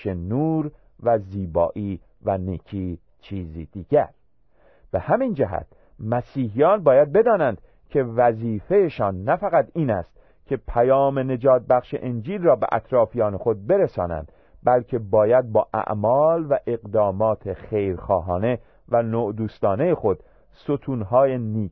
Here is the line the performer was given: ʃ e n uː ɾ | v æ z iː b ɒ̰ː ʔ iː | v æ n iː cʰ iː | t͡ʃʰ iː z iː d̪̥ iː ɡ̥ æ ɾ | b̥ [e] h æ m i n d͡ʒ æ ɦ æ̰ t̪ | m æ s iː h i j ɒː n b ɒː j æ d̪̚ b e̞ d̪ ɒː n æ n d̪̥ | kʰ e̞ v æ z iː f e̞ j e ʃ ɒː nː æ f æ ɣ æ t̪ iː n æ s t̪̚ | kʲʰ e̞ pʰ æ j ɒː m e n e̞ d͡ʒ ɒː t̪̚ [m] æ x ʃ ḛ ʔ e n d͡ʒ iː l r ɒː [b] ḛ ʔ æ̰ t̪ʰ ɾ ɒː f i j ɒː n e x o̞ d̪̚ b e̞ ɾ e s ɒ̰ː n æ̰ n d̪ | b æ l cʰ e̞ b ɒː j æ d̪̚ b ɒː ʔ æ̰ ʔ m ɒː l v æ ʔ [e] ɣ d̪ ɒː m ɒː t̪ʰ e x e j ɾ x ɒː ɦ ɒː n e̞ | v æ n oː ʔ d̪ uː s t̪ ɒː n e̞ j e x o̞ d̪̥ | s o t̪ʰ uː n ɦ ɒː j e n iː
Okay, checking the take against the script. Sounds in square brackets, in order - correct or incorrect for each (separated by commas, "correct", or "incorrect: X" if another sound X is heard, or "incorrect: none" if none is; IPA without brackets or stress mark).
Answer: correct, incorrect: b, correct, correct